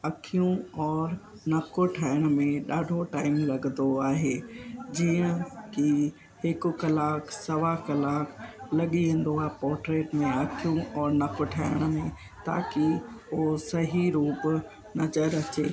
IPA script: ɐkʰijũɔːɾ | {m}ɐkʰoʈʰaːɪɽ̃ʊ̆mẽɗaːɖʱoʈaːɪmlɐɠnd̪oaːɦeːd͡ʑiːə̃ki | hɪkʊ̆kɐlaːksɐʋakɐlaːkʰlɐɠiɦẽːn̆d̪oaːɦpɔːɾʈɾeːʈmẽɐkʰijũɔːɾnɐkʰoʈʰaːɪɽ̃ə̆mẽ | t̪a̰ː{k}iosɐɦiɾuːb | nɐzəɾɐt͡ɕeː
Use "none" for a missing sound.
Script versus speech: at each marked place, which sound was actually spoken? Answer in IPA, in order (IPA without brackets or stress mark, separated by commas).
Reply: n, k